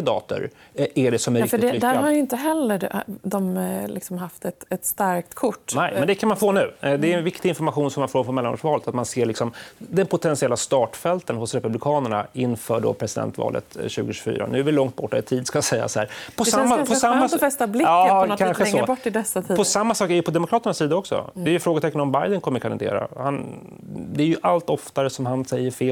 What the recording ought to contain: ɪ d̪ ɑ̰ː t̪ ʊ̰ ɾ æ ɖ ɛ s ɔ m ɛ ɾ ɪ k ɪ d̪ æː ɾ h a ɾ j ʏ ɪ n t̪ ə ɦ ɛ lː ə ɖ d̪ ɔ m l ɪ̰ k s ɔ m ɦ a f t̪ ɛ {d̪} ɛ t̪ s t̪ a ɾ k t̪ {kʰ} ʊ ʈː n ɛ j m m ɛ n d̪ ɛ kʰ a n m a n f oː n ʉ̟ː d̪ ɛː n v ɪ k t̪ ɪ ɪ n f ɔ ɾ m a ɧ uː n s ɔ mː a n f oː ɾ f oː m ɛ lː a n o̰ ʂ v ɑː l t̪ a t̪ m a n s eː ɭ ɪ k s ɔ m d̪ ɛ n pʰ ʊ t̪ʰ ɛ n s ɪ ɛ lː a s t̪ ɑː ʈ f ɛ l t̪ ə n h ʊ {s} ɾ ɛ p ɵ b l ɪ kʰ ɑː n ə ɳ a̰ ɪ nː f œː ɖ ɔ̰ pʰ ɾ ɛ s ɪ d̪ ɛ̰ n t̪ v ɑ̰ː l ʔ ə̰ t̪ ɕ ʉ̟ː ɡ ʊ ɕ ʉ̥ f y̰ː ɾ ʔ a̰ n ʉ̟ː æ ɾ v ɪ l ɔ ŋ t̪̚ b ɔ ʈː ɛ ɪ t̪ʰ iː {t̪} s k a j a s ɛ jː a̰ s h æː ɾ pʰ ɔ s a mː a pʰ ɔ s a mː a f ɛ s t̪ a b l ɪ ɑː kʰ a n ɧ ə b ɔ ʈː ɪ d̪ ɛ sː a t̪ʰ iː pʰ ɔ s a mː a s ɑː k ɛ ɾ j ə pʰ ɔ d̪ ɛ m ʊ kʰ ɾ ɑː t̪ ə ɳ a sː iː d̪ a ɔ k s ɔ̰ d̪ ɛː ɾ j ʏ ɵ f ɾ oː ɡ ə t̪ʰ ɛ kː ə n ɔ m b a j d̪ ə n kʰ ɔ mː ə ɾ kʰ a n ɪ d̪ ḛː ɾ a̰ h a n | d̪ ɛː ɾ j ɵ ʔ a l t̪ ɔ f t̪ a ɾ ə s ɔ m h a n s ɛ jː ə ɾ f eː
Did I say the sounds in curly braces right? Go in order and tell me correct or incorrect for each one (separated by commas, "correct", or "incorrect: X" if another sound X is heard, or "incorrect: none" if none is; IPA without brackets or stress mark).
incorrect: t̪, correct, correct, incorrect: d̪